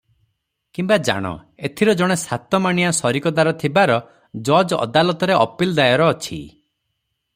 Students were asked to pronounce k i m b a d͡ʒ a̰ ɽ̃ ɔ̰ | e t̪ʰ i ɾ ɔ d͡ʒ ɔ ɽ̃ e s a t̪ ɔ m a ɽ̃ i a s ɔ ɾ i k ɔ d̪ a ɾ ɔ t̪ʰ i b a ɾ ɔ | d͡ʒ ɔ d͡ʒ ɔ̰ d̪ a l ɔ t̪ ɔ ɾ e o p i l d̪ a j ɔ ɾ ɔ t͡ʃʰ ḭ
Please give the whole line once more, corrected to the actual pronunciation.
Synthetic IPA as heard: k i m b a d͡ʒ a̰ ɽ̃ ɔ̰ | e t̪ʰ i ɾ ɔ d͡ʒ ɔ ɽ̃ e s a t̪ ɔ m a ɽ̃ i a s ɔ ɾ i k ɔ d̪ a ɾ ɔ t̪ʰ i b a ɾ ɔ | d͡ʒ ɔ d͡ʒ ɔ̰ d̪ a l ɔ t̪ ɔ ɾ e ɔ p i l d̪ a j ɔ ɾ ɔː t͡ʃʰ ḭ